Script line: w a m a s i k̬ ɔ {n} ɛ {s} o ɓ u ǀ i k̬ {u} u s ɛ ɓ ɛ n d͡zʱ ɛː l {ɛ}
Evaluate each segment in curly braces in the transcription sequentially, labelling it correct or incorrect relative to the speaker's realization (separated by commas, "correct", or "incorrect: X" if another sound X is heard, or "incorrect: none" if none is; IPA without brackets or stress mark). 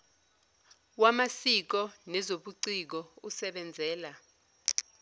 correct, incorrect: z, incorrect: ɔ, incorrect: a